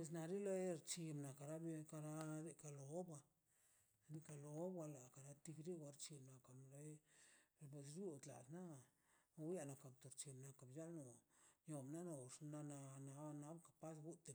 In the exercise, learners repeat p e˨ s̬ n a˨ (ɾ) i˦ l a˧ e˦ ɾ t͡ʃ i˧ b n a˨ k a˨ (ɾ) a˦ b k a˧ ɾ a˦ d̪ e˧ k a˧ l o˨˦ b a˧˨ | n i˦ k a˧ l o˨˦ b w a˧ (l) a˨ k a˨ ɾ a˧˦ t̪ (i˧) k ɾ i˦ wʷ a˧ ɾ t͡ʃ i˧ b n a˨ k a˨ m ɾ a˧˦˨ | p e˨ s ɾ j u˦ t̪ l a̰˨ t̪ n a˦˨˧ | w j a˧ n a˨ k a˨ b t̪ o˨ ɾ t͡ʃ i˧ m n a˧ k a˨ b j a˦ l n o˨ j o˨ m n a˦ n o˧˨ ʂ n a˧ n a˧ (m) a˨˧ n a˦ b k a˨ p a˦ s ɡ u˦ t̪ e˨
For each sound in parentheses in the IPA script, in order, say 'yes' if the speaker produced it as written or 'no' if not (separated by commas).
yes, yes, yes, yes, no